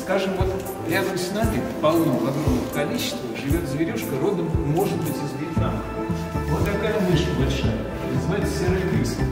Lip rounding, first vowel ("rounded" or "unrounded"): unrounded